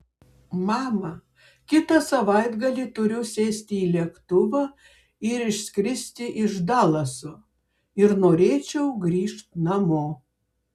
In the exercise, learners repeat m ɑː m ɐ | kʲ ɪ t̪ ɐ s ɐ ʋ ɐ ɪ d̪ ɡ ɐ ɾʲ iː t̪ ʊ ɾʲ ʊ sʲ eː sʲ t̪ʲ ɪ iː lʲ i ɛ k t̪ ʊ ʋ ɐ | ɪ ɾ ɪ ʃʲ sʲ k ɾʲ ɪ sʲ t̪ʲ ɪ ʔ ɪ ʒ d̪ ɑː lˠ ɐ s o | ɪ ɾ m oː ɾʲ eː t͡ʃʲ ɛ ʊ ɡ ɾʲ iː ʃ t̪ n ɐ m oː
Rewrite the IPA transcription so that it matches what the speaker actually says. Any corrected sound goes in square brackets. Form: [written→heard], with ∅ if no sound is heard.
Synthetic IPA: m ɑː m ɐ | kʲ ɪ t̪ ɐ s ɐ ʋ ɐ ɪ d̪ ɡ ɐ [ɾʲ→lʲ] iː t̪ ʊ ɾʲ ʊ sʲ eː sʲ t̪ʲ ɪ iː lʲ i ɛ k t̪ ʊ ʋ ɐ | ɪ ɾ ɪ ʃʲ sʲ k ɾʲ ɪ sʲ t̪ʲ ɪ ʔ ɪ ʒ d̪ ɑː lˠ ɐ s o | ɪ ɾ [m→n] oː ɾʲ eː t͡ʃʲ ɛ ʊ ɡ ɾʲ iː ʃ t̪ n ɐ m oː